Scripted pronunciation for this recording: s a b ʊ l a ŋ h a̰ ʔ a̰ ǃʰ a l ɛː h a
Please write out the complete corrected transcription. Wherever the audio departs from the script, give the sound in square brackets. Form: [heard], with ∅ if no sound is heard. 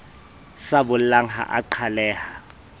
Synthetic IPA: s a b ʊ l a ŋ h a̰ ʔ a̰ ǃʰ a l ɛː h a